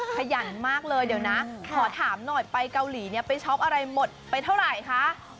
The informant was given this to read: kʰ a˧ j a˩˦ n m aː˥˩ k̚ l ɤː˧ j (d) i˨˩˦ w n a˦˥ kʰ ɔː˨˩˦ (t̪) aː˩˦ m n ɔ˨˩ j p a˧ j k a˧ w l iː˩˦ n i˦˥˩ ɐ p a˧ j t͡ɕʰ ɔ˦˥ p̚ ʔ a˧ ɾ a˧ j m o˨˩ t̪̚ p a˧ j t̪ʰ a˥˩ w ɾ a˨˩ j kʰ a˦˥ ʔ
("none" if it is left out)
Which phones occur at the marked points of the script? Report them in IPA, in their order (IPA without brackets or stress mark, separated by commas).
d, t̪ʰ